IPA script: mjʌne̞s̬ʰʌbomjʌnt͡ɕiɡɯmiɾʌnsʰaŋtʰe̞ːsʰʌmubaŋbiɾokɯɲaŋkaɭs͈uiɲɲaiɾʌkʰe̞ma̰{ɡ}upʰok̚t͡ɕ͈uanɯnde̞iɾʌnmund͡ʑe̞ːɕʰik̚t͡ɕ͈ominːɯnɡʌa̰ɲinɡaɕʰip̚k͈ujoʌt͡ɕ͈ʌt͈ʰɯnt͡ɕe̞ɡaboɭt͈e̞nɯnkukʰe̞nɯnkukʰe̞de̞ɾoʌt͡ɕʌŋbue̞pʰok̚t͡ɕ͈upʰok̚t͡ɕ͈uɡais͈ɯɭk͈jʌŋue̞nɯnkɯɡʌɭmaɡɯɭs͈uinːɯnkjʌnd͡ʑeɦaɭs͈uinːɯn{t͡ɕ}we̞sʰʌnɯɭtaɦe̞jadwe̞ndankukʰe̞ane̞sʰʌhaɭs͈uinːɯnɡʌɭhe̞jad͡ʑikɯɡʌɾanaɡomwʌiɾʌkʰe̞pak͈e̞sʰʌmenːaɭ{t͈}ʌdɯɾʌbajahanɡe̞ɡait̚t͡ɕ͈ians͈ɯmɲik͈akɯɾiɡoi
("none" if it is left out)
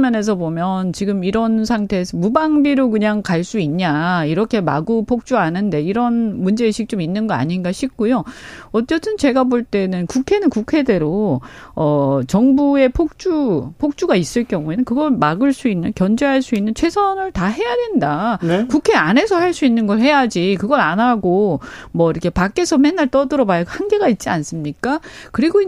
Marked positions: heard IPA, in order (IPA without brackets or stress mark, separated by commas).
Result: ɡ, t͡ɕʰ, t͈